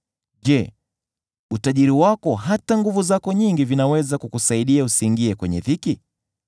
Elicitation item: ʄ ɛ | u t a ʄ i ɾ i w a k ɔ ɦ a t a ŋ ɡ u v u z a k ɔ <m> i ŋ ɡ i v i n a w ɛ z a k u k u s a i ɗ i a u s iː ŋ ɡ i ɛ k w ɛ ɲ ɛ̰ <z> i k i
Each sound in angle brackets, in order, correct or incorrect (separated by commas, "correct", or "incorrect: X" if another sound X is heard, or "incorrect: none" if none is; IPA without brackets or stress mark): incorrect: ɲ, incorrect: ð